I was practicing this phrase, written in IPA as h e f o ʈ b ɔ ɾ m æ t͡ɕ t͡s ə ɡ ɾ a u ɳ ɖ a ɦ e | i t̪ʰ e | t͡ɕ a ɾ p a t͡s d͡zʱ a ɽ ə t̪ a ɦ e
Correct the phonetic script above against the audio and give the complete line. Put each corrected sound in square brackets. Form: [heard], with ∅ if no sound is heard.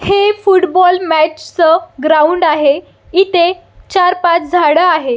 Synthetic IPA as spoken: h e f [u] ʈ b ɔ [l] m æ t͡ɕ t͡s ə ɡ ɾ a u ɳ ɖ a ɦ e | i [t̪] e | t͡ɕ a ɾ p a t͡s d͡zʱ a ɽ ə [∅] a ɦ e

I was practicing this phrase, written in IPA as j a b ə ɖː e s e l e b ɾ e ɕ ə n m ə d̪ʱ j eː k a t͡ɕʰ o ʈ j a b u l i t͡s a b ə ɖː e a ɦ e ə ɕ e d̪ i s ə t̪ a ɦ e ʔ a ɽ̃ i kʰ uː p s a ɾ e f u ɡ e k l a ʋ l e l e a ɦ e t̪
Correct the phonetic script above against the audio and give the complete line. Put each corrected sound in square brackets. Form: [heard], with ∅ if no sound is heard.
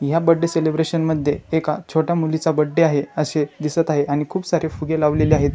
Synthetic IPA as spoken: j a b ə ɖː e s e l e b ɾ e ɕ ə n m ə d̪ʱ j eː k a t͡ɕʰ o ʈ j a [m] u l i t͡s a b ə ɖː e a ɦ e ə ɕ e d̪ i s ə t̪ a ɦ e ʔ a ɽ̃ i kʰ uː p s a ɾ e f u ɡ e [∅] l a ʋ l e l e a ɦ e t̪

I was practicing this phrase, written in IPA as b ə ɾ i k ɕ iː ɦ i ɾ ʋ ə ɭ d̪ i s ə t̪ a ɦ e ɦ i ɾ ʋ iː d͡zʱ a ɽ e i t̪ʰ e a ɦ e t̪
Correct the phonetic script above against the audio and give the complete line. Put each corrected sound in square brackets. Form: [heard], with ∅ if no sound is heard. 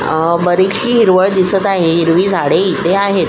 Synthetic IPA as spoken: b ə ɾ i k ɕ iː ɦ i ɾ ʋ ə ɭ d̪ i s ə t̪ a ɦ e ɦ i ɾ ʋ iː d͡zʱ a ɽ e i [t̪] e a ɦ e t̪

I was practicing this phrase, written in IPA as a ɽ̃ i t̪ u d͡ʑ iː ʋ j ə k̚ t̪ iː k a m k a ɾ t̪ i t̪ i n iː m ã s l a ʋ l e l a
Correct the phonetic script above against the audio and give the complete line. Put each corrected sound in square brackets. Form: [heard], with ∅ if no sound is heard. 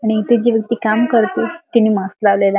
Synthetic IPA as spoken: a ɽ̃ i t̪ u d͡ʑ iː ʋ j ə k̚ t̪ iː k a m k [ə] ɾ t̪ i t̪ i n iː m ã s l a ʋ l e l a

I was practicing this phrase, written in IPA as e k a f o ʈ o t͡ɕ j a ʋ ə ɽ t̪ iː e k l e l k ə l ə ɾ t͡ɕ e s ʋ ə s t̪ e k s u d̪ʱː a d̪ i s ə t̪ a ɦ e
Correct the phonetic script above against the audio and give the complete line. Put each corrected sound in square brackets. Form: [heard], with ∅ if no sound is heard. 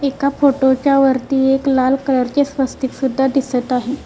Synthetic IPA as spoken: e k a f o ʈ o t͡ɕ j a ʋ ə [ɾ] t̪ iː e k l [a] l k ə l ə ɾ t͡ɕ e s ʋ ə s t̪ [i] k s u d̪ʱː a d̪ i s ə t̪ a ɦ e

